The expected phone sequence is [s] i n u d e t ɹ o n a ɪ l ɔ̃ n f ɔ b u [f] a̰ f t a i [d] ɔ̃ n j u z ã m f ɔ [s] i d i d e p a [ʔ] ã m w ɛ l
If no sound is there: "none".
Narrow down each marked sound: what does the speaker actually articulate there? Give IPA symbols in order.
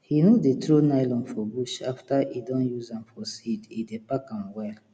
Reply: h, ʃ, d, s, k

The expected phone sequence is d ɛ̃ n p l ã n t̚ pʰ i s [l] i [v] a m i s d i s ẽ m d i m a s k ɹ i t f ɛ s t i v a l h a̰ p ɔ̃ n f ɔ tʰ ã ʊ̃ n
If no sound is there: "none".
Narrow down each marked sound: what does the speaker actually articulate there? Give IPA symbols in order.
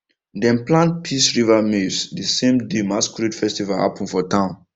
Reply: ɹ, v

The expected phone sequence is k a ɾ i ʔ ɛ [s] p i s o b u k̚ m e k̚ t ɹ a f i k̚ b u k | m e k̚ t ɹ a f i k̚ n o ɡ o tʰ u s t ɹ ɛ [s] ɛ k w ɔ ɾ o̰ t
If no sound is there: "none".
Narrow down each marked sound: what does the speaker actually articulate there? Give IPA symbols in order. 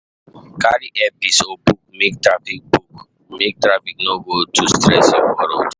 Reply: none, s

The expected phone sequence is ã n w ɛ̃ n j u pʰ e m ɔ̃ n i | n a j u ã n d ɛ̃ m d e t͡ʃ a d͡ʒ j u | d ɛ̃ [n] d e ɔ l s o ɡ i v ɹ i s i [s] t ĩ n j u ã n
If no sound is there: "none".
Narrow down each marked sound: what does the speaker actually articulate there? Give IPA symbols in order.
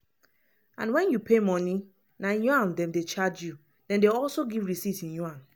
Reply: n, none

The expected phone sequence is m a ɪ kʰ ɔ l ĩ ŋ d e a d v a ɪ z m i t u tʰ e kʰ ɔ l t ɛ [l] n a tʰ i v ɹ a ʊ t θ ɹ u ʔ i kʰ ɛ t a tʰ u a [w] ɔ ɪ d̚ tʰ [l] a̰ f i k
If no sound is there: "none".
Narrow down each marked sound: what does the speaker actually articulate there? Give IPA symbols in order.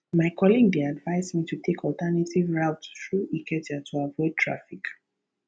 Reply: none, v, ɹ

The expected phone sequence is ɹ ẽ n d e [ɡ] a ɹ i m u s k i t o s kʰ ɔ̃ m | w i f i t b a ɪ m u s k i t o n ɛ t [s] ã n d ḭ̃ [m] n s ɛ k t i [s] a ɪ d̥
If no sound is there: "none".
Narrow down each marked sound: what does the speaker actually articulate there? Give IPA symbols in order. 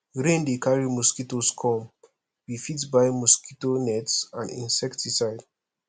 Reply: k, s, none, s

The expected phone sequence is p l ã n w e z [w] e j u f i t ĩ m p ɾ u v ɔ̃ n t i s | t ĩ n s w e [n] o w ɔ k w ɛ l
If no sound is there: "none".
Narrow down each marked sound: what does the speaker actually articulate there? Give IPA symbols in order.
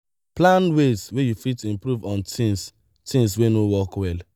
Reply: w, n

